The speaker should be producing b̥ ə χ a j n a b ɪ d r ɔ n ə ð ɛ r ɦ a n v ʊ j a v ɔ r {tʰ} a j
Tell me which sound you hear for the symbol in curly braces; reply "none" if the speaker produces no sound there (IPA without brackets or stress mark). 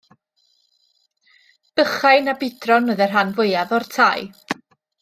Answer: tʰ